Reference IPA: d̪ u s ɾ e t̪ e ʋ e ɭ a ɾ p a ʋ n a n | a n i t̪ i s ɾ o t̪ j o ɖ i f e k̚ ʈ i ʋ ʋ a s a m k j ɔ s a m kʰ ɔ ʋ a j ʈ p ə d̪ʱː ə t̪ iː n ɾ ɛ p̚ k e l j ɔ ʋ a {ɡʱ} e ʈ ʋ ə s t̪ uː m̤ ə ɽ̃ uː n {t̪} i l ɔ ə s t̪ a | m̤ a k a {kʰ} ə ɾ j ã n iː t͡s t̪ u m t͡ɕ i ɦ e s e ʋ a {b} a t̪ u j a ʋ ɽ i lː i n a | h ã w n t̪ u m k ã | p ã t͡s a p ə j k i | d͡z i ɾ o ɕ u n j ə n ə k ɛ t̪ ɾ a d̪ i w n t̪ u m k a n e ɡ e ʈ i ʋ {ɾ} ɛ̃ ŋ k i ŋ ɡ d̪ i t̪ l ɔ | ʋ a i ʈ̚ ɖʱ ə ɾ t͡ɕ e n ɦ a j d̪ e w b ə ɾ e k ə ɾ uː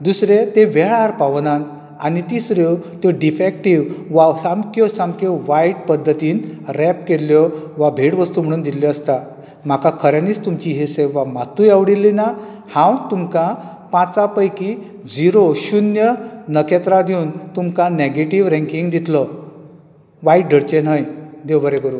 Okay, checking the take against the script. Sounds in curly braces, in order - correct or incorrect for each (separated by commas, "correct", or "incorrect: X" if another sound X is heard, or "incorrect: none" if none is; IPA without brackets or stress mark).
incorrect: bʱ, incorrect: d̪, correct, incorrect: m, correct